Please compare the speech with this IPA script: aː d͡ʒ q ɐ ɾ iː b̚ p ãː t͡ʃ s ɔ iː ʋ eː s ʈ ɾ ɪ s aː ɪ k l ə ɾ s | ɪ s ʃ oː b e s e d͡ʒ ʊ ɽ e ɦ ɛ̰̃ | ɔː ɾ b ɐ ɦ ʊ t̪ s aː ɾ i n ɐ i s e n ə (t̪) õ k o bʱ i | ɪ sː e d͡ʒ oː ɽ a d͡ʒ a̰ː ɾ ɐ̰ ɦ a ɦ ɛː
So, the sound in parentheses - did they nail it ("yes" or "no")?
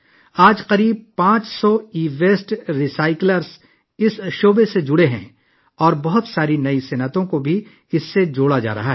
yes